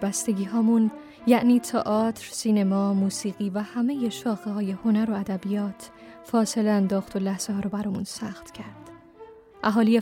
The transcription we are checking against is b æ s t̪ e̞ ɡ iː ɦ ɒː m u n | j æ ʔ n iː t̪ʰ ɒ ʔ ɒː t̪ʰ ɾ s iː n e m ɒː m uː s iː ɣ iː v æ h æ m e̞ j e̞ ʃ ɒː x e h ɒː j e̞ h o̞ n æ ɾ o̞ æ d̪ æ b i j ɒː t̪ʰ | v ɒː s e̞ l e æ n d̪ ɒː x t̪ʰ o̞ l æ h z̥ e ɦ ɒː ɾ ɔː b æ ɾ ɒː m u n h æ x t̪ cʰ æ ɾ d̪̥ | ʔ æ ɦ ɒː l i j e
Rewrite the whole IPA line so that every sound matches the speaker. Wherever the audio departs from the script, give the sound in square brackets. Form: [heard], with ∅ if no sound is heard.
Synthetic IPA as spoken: b æ s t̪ e̞ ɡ iː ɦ ɒː m u n | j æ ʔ n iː t̪ʰ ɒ ʔ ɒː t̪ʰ ɾ s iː n e m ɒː m uː s iː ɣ iː v æ h æ m e̞ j e̞ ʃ ɒː x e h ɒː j e̞ h o̞ n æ ɾ o̞ æ d̪ æ b i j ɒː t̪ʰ | [f] ɒː s e̞ l e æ n d̪ ɒː x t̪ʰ o̞ l æ h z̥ e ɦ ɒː ɾ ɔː b æ ɾ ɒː m u n [s] æ x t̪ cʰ æ ɾ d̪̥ | ʔ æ ɦ ɒː l i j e